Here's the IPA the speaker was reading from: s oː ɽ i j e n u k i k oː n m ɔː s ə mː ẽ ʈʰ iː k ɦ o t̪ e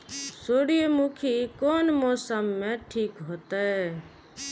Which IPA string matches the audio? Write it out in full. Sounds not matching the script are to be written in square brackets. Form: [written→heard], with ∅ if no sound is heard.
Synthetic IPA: s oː ɽ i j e [n→m] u [k→kʰ] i k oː n m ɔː s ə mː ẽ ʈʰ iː k ɦ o t̪ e